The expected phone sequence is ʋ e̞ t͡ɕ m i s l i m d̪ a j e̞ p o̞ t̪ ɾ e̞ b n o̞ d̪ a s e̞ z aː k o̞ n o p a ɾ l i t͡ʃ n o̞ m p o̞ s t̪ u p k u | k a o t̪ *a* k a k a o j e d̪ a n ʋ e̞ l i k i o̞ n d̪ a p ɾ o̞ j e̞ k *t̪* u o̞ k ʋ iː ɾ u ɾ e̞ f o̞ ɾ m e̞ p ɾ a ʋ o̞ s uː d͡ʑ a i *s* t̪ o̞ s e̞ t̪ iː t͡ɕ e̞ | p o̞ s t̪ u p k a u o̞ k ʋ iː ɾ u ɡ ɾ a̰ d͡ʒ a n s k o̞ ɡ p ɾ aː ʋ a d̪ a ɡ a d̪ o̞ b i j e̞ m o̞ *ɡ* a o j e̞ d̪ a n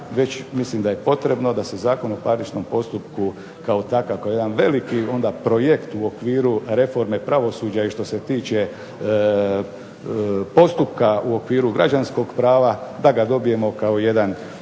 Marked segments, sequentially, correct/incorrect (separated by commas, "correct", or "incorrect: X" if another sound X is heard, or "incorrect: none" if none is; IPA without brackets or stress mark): correct, correct, incorrect: ʃ, incorrect: k